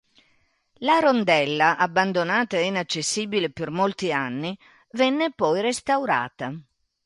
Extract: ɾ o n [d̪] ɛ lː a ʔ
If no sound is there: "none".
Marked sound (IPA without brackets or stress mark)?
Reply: d̪